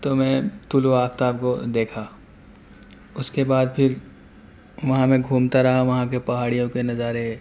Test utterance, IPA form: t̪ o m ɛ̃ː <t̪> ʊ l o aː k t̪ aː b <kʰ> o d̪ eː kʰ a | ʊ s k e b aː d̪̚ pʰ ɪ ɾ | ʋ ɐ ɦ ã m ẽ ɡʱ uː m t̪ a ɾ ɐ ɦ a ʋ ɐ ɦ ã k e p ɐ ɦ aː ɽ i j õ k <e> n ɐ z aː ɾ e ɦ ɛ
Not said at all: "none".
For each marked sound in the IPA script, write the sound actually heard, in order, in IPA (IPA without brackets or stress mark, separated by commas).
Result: t̪, k, e